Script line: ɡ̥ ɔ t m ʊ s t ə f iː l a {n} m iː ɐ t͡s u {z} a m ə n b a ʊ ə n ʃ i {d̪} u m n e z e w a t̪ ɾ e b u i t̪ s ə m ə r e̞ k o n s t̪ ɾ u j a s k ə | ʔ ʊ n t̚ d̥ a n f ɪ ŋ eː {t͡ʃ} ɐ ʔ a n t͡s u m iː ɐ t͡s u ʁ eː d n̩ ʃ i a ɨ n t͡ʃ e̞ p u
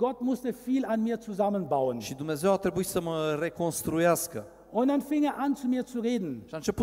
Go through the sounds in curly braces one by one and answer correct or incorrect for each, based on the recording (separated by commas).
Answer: correct, correct, correct, incorrect